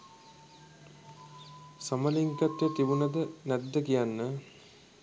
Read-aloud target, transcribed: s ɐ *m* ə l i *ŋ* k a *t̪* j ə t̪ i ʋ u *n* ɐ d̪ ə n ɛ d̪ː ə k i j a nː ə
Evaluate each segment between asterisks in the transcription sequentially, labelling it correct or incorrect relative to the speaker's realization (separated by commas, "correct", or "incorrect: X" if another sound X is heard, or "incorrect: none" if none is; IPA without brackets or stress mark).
correct, correct, correct, correct